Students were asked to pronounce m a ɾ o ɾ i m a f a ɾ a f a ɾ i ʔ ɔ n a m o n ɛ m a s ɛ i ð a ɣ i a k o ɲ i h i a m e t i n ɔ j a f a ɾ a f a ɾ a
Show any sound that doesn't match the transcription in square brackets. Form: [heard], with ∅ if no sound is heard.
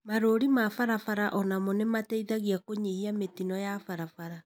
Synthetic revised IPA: m a ɾ o ɾ i m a f a ɾ a f a ɾ [a] ʔ ɔ n a m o n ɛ m a [t] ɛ i ð a ɣ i a k o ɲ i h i a m e t i n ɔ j a f a ɾ a f a ɾ a